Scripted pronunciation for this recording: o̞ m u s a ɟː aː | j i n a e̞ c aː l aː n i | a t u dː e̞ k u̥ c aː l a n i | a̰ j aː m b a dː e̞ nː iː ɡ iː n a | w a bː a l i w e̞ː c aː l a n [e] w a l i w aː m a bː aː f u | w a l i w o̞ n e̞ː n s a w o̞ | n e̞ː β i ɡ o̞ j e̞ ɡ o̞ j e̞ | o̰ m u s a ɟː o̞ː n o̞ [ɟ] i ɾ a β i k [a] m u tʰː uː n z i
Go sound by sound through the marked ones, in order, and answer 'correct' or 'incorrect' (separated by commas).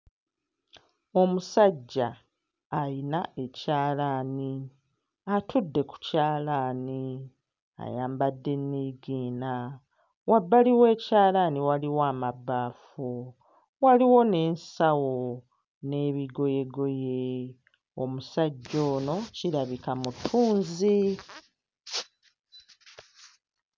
incorrect, incorrect, correct